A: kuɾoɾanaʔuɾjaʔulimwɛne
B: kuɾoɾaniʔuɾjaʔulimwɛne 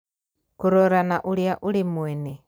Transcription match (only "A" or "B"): A